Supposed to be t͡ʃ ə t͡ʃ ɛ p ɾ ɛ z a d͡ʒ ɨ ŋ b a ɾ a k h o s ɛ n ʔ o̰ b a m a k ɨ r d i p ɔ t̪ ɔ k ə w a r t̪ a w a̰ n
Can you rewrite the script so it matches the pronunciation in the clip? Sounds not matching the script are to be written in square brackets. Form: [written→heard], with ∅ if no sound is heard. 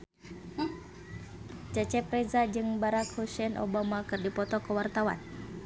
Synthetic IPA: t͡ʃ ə t͡ʃ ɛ p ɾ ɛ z a d͡ʒ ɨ ŋ b a ɾ a k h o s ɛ n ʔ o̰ b a m a k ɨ r d i p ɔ t̪ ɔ k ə w a r t̪ a w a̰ n